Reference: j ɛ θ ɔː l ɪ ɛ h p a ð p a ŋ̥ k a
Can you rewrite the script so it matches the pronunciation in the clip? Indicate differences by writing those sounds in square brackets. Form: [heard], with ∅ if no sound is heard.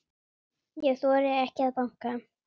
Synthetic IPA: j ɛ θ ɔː [ɾ] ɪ ɛ h [c] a ð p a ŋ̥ k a